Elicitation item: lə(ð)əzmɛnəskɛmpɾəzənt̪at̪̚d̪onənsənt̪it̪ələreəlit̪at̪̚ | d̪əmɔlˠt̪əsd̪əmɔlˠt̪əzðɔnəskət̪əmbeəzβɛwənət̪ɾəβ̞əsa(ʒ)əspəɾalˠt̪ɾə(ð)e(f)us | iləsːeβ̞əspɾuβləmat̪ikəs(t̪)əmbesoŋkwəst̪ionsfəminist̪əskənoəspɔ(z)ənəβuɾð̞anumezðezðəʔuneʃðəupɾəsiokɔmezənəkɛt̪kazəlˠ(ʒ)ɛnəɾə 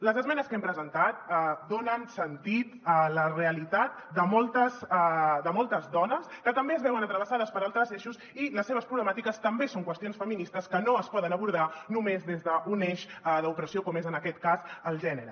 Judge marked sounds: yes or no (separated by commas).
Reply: no, no, no, no, yes, no, yes